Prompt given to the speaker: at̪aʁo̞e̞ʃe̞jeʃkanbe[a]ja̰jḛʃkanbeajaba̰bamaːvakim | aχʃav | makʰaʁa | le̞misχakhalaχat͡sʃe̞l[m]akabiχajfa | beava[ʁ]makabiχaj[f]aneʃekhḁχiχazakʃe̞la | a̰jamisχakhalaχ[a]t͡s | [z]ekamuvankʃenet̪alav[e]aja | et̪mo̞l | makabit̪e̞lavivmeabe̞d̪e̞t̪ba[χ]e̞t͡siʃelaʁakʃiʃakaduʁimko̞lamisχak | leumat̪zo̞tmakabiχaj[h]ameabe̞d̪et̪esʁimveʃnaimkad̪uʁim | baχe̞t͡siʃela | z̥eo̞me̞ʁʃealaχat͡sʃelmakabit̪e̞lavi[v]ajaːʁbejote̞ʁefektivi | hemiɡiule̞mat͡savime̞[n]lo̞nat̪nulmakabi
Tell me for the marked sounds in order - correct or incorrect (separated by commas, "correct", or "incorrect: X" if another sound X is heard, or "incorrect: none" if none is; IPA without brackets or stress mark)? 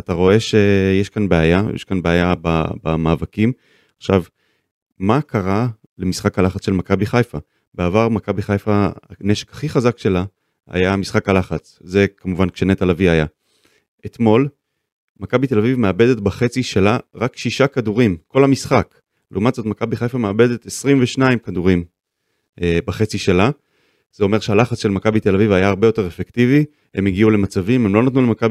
correct, correct, correct, correct, correct, correct, incorrect: i, correct, incorrect: f, correct, incorrect: m